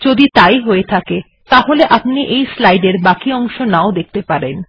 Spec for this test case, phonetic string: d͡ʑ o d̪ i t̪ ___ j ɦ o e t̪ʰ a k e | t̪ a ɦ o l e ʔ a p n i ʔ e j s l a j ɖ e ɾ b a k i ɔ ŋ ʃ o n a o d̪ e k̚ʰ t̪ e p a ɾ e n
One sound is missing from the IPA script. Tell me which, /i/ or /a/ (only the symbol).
a